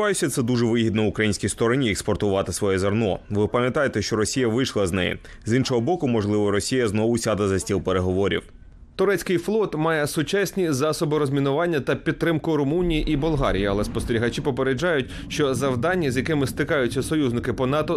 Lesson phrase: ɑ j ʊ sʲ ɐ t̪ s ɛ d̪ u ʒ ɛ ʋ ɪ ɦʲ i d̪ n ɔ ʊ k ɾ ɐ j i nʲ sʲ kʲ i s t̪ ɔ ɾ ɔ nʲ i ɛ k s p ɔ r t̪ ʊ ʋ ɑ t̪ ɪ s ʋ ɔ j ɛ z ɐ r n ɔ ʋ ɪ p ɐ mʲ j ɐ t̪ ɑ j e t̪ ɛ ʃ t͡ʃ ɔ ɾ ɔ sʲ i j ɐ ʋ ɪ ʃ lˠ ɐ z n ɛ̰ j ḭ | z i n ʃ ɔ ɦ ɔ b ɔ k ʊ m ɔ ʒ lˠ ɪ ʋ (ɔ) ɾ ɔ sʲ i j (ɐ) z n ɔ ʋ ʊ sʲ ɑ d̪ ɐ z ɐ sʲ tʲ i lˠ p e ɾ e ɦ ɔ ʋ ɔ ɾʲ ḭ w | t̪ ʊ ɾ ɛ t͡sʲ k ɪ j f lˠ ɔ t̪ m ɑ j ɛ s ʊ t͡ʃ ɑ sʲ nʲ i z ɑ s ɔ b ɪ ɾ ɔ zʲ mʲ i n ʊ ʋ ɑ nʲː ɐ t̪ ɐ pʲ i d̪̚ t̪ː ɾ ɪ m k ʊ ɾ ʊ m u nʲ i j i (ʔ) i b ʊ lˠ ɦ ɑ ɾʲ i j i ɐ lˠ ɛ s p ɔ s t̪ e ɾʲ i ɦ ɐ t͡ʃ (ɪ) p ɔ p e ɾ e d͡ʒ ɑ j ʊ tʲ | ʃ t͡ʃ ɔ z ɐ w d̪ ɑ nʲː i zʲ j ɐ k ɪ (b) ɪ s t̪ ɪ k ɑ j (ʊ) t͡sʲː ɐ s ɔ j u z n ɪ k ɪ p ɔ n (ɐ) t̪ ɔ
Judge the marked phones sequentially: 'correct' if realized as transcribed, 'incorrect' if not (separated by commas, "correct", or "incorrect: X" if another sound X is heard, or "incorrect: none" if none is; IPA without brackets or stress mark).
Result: correct, correct, correct, incorrect: i, incorrect: m, correct, incorrect: ɑ